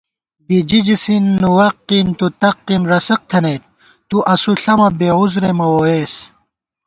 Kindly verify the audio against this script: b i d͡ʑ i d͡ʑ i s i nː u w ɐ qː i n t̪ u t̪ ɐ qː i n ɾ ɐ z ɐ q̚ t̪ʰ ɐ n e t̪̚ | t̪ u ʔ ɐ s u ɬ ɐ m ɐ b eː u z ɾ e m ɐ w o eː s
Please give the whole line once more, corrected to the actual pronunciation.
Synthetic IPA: b i d͡ʑ i d͡ʑ i s i nː u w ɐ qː i n t̪ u t̪ ɐ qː i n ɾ ɐ s ɐ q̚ t̪ʰ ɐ n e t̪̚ | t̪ u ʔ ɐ s u ɬ ɐ m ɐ b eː u z ɾ e m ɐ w o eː s